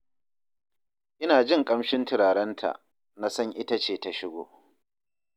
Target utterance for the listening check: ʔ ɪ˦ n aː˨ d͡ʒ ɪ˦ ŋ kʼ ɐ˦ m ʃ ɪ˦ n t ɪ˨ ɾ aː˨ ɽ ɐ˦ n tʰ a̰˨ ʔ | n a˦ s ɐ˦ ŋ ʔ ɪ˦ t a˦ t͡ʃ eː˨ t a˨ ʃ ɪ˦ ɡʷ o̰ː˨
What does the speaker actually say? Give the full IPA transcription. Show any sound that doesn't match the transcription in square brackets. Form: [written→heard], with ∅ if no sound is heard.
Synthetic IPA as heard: ʔ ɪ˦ n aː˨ d͡ʒ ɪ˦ ŋ kʼ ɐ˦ m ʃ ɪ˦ n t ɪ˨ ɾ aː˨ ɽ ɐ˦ n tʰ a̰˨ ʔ | n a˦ s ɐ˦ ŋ ʔ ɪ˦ t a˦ t͡ʃ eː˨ t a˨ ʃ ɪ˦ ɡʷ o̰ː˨